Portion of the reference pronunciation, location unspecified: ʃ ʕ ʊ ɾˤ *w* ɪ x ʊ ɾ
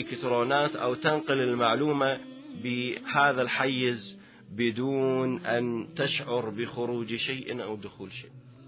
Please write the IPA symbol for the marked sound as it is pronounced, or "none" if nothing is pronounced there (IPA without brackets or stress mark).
b